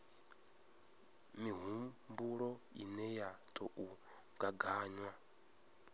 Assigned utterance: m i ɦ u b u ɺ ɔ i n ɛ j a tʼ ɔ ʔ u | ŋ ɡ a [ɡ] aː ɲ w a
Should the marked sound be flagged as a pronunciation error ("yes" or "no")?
no